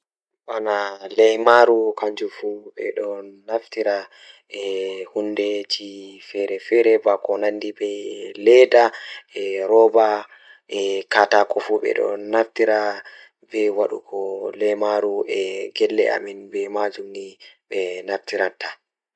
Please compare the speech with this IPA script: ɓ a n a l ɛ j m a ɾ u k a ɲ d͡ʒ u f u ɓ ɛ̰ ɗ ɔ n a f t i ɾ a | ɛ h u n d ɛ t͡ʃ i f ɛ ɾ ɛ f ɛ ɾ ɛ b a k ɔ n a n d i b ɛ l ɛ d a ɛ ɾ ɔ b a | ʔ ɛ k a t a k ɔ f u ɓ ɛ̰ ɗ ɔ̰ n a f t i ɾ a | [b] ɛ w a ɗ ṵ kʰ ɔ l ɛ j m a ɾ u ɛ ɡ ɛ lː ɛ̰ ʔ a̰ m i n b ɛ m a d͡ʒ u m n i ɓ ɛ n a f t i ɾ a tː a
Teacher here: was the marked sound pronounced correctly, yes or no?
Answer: yes